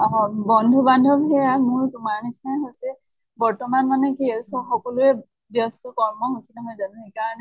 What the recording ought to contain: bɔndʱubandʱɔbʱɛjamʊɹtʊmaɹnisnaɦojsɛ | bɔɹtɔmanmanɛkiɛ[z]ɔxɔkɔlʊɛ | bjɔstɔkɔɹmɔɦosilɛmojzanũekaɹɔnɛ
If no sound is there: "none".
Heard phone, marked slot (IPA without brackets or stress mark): s